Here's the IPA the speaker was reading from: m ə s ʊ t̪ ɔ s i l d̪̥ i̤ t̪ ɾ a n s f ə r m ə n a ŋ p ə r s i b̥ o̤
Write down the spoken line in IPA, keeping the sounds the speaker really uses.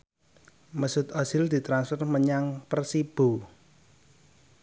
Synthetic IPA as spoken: m ə s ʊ t̪ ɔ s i l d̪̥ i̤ t̪ ɾ a n s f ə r m ə ɲ a ŋ p ə r s i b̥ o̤